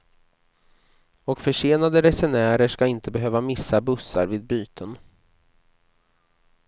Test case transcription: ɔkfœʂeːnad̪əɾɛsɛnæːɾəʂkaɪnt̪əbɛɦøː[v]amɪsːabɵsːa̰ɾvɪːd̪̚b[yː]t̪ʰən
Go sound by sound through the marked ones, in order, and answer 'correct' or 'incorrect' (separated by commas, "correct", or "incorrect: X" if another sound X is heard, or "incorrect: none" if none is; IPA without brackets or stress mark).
correct, correct